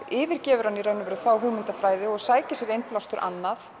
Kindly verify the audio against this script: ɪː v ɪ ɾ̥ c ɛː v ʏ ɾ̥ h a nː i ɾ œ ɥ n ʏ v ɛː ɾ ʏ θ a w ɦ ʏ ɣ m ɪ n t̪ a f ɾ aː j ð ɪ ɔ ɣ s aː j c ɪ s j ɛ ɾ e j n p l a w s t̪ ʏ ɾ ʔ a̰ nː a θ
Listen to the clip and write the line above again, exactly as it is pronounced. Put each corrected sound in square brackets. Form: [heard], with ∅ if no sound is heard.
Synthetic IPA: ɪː v ɪ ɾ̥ c ɛː v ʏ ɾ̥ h a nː i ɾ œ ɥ n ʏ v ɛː ɾ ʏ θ a w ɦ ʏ ɣ m ɪ n t̪ a f ɾ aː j ð ɪ ɔ ɣ s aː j c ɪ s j ɛ ɾ e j n p l a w s t̪ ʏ ɾ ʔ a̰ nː a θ